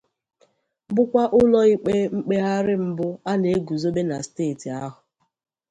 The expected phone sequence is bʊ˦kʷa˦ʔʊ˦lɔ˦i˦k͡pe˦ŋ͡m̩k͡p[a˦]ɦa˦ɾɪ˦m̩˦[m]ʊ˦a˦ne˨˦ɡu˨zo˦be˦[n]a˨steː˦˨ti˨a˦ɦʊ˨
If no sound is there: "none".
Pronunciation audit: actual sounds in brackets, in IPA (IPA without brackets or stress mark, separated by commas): e˦, b, n